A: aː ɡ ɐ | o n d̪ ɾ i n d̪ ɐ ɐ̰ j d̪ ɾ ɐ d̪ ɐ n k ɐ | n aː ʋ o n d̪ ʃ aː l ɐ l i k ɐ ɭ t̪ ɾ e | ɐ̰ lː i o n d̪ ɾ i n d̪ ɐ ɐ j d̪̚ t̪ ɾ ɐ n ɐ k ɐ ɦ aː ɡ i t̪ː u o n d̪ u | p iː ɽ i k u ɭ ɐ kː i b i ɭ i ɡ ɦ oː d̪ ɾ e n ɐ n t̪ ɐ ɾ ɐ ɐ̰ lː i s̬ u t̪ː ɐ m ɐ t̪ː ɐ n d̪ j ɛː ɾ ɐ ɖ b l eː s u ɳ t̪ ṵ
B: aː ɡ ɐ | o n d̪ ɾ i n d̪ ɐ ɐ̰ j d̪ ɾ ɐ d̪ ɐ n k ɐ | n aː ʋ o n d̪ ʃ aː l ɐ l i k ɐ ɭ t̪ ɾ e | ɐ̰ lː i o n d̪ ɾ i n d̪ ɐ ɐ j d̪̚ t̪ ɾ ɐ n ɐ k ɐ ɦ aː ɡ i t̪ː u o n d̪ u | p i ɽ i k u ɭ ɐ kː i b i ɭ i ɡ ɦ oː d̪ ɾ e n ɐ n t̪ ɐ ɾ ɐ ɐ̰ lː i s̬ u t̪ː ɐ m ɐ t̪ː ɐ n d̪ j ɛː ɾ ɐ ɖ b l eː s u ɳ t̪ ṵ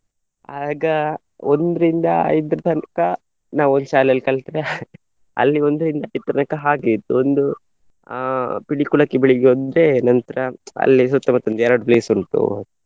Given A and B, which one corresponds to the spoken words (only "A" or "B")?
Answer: B